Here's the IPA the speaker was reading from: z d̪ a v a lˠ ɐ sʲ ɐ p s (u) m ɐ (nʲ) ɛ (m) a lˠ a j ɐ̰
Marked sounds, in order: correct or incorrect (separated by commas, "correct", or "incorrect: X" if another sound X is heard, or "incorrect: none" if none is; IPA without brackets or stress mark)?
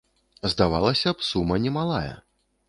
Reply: correct, correct, correct